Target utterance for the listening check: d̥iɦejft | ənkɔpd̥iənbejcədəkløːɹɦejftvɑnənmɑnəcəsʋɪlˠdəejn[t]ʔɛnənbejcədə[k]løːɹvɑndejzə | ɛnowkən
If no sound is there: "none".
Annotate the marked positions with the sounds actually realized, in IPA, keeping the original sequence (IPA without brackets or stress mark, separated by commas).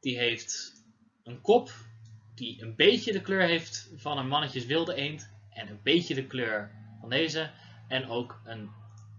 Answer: t, k